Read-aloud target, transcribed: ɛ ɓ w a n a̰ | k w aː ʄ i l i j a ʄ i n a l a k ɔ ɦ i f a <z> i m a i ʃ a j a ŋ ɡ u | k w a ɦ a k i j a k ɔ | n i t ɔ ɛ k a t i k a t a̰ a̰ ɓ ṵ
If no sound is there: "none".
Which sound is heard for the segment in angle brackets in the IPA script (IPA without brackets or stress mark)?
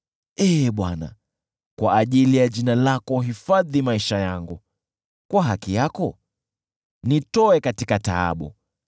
ð